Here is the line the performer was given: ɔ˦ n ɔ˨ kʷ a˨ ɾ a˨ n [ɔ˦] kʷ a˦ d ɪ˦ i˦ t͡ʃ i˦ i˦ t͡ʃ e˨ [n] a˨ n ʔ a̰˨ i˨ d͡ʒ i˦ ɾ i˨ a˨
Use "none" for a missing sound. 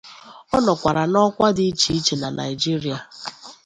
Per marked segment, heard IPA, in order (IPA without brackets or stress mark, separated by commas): ɔ˦, n